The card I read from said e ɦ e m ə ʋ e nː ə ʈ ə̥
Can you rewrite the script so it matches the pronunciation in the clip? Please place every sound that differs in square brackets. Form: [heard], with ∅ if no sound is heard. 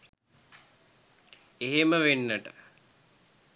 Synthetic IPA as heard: e ɦ e m ə ʋ e nː ə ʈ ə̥